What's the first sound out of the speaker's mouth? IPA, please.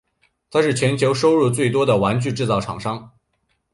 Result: t̪ʰ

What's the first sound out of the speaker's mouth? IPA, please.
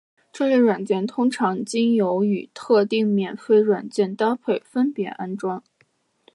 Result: ʈ͡ʂ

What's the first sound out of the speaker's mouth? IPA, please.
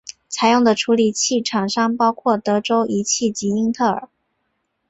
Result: t͡sʰ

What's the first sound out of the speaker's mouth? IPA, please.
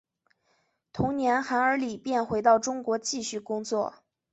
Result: t̪ʰ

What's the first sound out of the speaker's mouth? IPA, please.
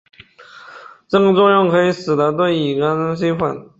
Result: ʈ͡ʂ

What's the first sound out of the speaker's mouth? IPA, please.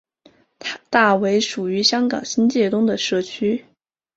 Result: t̪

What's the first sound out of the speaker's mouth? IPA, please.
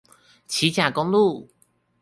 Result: t͡ɕʰ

